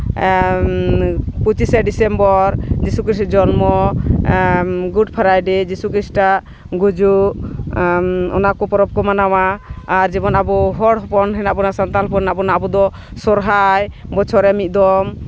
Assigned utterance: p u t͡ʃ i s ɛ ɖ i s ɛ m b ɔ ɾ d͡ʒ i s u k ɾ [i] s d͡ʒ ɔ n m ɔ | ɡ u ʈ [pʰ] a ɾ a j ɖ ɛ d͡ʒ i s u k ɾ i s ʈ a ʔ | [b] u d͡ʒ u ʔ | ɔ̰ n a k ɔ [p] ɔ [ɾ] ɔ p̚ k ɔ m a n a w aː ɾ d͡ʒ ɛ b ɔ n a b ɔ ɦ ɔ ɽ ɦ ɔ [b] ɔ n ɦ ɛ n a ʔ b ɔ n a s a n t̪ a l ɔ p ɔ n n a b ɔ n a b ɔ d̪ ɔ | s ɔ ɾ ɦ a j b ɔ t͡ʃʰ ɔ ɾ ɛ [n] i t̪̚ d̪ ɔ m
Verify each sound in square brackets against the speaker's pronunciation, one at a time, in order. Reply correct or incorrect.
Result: correct, correct, incorrect, correct, correct, incorrect, incorrect

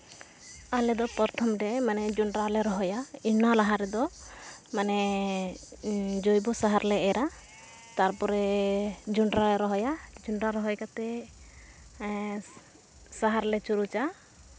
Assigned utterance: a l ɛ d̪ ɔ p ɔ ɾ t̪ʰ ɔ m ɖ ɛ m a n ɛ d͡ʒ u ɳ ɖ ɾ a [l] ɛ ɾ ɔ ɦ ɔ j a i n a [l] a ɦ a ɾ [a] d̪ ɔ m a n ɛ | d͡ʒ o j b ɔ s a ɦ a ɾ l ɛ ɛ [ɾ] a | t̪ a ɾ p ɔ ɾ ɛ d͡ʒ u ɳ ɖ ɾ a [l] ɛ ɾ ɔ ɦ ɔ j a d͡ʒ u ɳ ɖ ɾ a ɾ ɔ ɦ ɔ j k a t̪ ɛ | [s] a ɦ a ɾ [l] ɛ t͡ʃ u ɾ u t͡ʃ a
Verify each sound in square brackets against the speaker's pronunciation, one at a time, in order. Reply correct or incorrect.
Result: correct, correct, incorrect, correct, correct, correct, correct

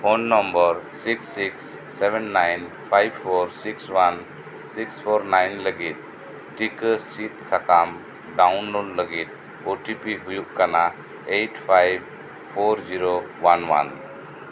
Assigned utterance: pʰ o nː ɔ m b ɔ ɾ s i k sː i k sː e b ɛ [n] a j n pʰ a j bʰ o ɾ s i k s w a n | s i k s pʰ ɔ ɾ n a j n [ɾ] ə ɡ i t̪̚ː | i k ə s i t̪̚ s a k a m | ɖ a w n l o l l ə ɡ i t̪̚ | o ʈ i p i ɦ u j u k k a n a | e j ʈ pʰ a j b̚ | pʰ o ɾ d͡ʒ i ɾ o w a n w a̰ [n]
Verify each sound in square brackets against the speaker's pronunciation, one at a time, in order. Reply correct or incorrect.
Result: incorrect, incorrect, correct

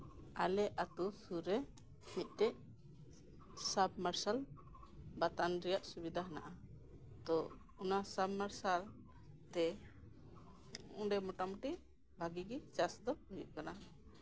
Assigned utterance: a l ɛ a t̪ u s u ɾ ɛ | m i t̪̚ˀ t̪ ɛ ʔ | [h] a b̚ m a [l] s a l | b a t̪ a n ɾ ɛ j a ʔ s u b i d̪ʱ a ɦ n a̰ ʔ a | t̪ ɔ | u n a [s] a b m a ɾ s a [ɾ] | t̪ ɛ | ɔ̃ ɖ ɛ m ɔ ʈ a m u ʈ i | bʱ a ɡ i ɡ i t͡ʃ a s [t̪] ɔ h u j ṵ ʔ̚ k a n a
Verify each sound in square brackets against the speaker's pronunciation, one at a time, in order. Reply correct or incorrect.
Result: incorrect, incorrect, correct, incorrect, incorrect

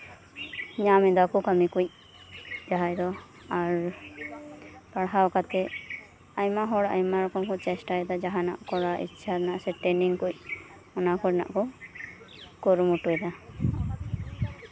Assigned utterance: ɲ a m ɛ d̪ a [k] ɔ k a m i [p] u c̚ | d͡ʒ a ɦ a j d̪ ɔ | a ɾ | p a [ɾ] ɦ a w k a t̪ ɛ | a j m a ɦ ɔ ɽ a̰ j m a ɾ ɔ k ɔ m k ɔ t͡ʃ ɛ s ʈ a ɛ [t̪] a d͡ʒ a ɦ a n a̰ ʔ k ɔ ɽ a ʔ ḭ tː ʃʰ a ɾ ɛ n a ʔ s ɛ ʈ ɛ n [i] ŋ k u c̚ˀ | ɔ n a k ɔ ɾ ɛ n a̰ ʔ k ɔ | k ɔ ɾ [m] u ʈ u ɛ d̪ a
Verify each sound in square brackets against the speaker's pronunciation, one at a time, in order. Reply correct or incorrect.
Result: correct, incorrect, incorrect, incorrect, correct, correct

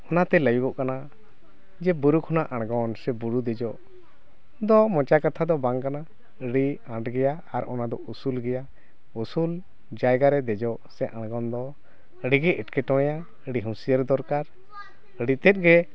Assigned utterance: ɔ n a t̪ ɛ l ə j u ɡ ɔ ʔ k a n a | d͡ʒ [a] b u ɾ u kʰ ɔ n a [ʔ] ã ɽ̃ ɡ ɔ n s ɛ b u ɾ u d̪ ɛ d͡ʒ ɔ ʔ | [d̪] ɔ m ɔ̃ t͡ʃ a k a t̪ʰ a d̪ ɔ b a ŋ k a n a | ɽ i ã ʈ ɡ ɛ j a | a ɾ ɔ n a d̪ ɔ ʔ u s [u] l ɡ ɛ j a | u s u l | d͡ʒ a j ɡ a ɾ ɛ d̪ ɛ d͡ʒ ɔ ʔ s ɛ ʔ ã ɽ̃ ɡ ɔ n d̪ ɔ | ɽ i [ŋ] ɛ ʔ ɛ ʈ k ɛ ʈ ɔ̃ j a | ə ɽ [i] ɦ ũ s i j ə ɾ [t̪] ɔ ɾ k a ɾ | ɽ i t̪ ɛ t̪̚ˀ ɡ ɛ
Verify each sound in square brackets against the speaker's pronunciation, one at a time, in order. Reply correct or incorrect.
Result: incorrect, correct, correct, correct, incorrect, correct, incorrect

